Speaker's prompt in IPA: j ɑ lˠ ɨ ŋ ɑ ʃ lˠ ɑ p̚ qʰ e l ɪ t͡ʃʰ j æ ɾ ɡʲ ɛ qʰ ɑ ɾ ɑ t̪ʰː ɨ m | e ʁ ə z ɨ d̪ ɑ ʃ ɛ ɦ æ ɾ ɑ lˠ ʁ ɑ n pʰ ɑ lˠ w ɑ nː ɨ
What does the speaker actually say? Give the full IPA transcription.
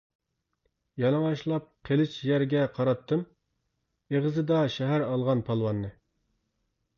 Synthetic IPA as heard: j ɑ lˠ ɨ ŋ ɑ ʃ lˠ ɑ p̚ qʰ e l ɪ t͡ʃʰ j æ ɾ ɡʲ ɛ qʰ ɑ ɾ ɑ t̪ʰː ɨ m | e ʁ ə z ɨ d̪ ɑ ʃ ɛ ɦ æ ɾ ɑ lˠ ʁ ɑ n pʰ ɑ lˠ w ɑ nː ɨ

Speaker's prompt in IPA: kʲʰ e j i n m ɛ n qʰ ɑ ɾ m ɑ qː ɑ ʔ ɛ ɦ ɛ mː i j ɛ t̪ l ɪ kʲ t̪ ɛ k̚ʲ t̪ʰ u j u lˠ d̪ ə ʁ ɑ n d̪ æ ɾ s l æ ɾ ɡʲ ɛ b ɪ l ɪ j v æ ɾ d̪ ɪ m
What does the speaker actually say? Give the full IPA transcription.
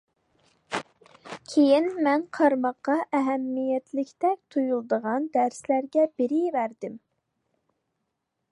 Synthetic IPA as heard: kʲʰ e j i n m ɛ n qʰ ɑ ɾ m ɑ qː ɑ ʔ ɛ ɦ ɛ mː i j ɛ t̪ l ɪ kʲ t̪ ɛ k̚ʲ t̪ʰ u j u lˠ d̪ ə ʁ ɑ n d̪ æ ɾ s l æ ɾ ɡʲ ɛ b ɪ ɾ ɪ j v æ ɾ d̪ ɪ m

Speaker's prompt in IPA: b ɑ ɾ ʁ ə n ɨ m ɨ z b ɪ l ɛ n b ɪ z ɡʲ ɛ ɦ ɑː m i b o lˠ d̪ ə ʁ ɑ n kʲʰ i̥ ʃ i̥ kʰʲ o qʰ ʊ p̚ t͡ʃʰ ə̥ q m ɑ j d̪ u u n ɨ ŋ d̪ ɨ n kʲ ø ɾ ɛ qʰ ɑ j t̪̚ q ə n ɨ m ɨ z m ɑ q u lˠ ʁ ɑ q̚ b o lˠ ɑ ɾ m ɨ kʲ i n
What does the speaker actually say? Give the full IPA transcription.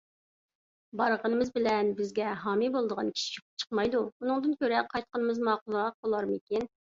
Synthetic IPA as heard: b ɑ ɾ ʁ ə n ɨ m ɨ z b ɪ l ɛ n b ɪ z ɡʲ ɛ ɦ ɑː m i b o lˠ d̪ ə ʁ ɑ n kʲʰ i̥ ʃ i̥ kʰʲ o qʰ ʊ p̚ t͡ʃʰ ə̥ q m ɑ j d̪ u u n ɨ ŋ d̪ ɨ n kʲ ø ɾ ɛ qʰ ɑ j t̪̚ q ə n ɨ m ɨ z m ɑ q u lˠ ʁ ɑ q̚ b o lˠ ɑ ɾ m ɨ kʲ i n

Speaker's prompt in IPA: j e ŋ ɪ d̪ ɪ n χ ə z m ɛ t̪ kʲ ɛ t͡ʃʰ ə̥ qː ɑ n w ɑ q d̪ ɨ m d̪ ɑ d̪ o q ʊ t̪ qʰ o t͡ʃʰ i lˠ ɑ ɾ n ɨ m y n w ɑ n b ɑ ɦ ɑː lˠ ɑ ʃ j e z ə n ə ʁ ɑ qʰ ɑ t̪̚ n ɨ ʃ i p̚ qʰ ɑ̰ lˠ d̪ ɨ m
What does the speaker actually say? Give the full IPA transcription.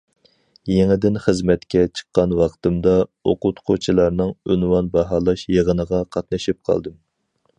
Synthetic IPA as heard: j e ŋ ɪ d̪ ɪ n χ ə z m ɛ t̪ kʲ ɛ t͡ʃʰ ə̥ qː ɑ n w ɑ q t̪ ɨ m d̪ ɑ o q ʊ t̪ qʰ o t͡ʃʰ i lˠ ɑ ɾ n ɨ ŋ y n w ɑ n b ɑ ɦ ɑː lˠ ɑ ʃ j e ʁ ə n ə ʁ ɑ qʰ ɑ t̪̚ n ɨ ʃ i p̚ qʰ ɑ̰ lˠ d̪ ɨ m

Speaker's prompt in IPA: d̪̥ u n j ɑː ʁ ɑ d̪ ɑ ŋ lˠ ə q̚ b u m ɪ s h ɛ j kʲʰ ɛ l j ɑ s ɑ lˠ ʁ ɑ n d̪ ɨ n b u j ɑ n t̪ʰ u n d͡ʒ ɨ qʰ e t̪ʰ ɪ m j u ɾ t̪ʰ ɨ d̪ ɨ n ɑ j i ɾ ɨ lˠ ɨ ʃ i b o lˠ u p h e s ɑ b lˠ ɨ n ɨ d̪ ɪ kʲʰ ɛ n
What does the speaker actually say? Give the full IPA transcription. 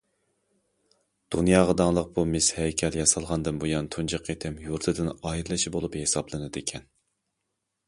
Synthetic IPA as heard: d̪̥ u n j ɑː ʁ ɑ d̪ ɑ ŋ lˠ ə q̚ b u m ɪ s h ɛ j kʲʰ ɛ l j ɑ s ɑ lˠ ʁ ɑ n d̪ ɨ n b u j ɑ n t̪ʰ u n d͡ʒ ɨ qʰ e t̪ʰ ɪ m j u ɾ t̪ʰ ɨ d̪ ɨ n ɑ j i ɾ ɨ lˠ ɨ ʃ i b o lˠ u p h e s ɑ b lˠ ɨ n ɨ d̪ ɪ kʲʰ ɛ n

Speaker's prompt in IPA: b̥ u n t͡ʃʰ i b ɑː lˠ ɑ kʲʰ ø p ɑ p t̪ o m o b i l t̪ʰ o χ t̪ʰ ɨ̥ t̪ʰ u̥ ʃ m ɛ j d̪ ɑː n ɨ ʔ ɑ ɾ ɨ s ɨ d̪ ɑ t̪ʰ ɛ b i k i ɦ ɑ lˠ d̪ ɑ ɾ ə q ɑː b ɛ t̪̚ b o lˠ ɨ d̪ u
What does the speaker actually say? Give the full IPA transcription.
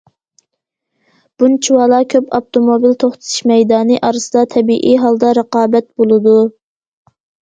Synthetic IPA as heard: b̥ u n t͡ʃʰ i w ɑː lˠ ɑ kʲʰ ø p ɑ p t̪ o m o b i l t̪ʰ o χ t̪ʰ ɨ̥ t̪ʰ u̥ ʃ m ɛ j d̪ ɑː n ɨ ʔ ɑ ɾ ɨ s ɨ d̪ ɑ t̪ʰ ɛ b i ʔ i ɦ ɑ lˠ d̪ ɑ ɾ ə q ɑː b ɛ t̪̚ b o lˠ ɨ d̪ u

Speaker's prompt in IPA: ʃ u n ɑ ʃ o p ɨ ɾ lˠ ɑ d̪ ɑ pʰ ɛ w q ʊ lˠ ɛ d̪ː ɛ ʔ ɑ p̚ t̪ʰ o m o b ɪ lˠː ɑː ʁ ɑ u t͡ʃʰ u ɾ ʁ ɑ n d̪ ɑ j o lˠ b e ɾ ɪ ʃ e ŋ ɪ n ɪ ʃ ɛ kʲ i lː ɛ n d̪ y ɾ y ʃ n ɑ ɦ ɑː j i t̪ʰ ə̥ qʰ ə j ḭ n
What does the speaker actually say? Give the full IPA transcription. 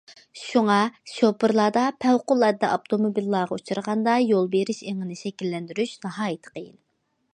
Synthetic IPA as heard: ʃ u ŋ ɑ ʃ o p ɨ ɾ lˠ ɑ d̪ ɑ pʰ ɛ w q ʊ lˠ ɛ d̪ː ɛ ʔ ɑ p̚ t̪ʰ o m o b i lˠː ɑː ʁ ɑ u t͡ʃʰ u ɾ ʁ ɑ n d̪ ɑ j o lˠ b e ɾ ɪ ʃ e ŋ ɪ n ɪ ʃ ɛ kʲ i lː ɛ n d̪ y ɾ y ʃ n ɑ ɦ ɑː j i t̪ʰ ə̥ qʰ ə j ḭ n

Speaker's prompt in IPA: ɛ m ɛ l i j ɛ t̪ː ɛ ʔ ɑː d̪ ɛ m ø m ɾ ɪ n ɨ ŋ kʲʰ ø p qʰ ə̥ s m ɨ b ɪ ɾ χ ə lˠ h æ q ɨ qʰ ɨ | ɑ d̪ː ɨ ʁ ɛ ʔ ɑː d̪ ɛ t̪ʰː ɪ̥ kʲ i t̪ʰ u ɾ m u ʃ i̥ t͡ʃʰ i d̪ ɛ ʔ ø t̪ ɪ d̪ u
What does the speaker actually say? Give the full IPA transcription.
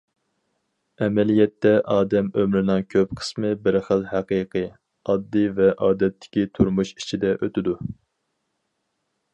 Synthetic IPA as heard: ɛ m ɛ l i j ɛ t̪ː ɛ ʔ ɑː d̪ ɛ m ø m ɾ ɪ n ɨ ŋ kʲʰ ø p qʰ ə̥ s m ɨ b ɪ ɾ χ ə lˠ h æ q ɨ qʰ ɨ | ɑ d̪ː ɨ v ɛ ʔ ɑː d̪ ɛ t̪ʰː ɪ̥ kʲ i t̪ʰ u ɾ m u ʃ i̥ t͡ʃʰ i d̪ ɛ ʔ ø t̪ ɪ d̪ u

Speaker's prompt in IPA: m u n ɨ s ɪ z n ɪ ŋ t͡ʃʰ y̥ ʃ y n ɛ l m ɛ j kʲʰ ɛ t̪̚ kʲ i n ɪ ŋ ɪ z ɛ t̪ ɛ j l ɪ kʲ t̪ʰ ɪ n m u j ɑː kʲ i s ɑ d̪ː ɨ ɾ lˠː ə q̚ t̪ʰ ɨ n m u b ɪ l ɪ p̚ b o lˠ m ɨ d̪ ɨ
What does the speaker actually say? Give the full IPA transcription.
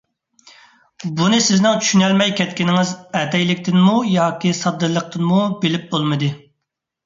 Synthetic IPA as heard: b u n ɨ s ɪ z n ɪ ŋ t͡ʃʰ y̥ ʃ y n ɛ l m ɛ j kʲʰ ɛ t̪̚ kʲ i n ɪ ŋ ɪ z ɛ t̪ ɛ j l ɪ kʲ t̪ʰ ɪ n m u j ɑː kʲ i s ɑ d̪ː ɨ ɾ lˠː ə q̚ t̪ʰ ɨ n m u b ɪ l ɪ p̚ b o lˠ m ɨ d̪ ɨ

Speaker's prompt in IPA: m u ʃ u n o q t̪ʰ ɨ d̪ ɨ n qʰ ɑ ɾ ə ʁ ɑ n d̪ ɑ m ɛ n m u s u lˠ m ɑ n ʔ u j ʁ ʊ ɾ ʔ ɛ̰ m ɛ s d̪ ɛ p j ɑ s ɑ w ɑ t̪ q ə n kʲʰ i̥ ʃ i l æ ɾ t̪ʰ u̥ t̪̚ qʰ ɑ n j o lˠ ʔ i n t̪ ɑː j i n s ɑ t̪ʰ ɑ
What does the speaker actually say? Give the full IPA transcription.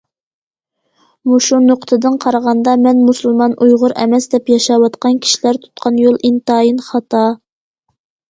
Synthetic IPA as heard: m u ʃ u n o q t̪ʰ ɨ d̪ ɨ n qʰ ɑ ɾ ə ʁ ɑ n d̪ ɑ m ɛ n m u s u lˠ m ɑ n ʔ u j ʁ ʊ ɾ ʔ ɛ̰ m ɛ s d̪ ɛ p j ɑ ʃ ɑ w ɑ t̪ q ɑ n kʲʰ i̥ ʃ i l æ ɾ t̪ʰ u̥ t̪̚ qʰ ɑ n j o lˠ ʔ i n t̪ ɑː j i n χ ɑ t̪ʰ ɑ

